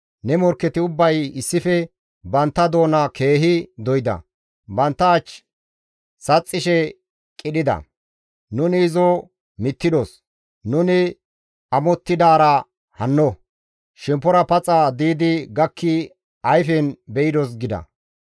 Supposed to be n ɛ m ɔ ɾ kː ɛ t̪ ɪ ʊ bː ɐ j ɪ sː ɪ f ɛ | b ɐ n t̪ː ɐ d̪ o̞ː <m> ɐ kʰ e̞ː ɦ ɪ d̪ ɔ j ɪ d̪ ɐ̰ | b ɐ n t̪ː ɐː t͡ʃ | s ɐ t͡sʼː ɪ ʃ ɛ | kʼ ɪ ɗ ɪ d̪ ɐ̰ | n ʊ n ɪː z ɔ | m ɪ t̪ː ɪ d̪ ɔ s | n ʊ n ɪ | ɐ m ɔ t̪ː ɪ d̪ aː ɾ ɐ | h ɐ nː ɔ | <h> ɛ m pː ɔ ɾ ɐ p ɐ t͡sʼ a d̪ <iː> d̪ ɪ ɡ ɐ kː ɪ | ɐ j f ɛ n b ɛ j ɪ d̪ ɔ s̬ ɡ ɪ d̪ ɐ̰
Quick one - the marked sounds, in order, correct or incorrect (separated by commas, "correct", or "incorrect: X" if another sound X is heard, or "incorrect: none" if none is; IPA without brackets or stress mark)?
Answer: incorrect: n, incorrect: ʃ, correct